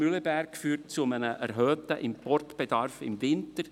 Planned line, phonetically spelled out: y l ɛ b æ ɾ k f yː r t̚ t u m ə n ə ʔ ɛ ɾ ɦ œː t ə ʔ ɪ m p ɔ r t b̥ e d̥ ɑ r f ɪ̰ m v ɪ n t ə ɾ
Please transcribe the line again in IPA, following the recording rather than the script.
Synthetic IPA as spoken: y l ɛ b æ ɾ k f yː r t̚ t͡s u m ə n ə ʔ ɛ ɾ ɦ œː t ə ʔ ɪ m p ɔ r t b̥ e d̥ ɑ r f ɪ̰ m v ɪ n t ə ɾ